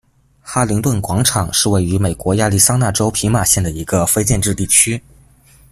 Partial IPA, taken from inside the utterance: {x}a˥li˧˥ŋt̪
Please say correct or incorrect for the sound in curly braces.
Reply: correct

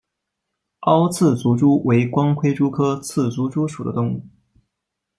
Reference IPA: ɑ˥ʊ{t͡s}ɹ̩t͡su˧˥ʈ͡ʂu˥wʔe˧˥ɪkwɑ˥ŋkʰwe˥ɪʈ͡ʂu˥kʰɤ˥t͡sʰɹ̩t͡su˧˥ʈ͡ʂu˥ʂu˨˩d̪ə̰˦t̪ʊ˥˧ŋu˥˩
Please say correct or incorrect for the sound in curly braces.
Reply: incorrect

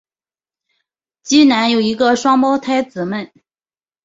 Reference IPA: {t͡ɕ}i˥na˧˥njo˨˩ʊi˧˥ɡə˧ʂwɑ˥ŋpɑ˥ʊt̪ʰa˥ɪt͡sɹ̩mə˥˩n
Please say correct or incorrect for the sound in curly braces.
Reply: correct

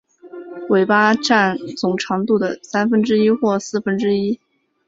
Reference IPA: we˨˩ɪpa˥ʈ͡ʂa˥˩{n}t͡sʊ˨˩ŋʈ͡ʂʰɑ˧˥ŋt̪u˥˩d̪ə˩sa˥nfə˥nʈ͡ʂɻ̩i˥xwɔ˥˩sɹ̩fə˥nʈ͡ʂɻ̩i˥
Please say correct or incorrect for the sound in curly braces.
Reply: correct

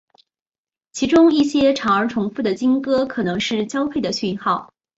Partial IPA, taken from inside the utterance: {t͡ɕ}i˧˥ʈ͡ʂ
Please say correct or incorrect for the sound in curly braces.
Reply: incorrect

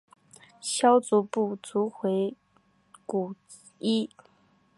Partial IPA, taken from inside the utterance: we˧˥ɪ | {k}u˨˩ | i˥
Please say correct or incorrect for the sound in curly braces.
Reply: correct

